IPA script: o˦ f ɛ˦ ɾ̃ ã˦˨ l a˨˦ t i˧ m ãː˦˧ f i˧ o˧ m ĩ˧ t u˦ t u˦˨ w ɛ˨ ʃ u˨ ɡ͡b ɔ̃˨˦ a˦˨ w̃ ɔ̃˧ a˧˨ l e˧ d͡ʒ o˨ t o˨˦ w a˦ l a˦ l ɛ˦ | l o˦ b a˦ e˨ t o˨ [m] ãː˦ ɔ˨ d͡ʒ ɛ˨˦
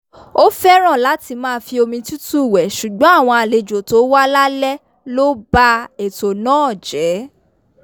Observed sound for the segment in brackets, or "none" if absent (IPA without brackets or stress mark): n